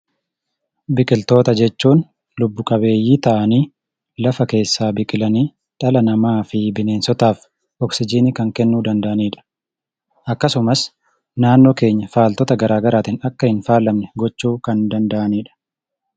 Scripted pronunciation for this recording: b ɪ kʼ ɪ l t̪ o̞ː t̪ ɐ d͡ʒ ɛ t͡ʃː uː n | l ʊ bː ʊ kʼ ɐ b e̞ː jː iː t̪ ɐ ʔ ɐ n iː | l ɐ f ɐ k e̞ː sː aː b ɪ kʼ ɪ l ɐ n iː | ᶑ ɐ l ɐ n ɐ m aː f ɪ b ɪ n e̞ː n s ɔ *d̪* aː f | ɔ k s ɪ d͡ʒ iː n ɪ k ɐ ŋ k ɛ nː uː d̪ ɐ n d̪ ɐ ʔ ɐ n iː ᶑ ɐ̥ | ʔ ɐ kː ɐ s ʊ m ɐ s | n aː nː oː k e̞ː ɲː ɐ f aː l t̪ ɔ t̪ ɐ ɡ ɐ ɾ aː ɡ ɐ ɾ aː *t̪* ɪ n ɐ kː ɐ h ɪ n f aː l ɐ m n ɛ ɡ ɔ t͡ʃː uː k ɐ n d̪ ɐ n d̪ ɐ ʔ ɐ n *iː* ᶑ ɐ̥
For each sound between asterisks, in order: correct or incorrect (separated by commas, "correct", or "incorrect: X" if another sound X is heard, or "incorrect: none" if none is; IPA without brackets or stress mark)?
incorrect: t̪, correct, correct